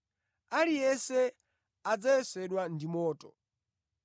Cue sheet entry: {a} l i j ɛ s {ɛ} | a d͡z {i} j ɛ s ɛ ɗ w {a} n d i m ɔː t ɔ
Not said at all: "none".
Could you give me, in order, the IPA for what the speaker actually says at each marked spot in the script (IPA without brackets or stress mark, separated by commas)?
a, ɛ, a, a